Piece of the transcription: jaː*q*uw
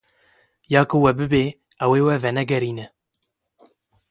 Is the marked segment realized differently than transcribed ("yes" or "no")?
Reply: yes